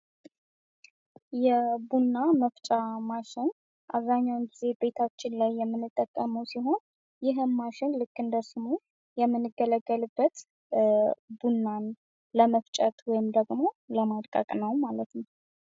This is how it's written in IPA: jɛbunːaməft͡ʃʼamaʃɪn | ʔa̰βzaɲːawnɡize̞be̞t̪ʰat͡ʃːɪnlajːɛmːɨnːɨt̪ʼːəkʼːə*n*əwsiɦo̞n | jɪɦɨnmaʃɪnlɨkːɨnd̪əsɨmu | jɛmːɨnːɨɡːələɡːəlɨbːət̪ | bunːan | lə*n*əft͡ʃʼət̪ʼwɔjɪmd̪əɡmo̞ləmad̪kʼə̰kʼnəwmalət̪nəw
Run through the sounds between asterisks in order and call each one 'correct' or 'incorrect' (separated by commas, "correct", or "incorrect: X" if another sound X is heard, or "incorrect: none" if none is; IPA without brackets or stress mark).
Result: incorrect: m, incorrect: m